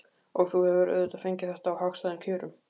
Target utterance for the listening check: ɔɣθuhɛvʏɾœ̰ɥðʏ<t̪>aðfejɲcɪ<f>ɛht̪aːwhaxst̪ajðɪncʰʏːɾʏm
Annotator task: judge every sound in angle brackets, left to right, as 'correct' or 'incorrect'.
correct, incorrect: θ

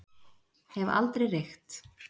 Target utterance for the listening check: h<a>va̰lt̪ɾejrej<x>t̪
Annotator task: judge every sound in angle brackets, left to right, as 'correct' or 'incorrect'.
incorrect: ɛ, correct

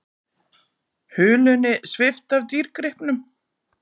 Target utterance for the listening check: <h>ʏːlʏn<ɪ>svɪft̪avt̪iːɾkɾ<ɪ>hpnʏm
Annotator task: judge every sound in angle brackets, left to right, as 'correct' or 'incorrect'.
correct, correct, correct

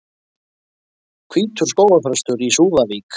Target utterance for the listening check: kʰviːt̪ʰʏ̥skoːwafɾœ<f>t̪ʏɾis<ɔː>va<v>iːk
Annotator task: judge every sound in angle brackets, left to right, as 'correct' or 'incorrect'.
incorrect: s, incorrect: uː, correct

